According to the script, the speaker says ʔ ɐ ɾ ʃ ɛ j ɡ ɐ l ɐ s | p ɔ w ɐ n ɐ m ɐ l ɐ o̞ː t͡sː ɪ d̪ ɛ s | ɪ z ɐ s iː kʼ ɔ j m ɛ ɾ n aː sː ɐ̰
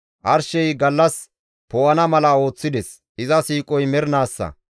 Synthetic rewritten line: ʔ ɐ ɾ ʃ ɛ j ɡ ɐ lː ɐ s | p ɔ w ɐ n ɐ m ɐ l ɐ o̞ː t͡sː ɪ d̪ ɛ s | ɪ z ɐ s iː kʼ ɔ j m ɛ ɾ n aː sː ɐ̰